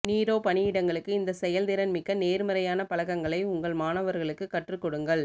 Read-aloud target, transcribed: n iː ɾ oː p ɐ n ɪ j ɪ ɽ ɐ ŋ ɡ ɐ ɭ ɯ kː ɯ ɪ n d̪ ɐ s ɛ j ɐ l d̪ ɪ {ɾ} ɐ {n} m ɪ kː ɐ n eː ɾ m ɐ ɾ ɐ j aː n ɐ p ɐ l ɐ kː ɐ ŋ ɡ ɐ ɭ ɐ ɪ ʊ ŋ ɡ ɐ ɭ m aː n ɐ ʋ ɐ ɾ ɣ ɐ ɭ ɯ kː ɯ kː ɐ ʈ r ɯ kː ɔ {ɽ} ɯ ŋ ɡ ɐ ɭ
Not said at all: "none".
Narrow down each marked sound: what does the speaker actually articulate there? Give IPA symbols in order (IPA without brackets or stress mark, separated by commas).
ɾ, n, ɽ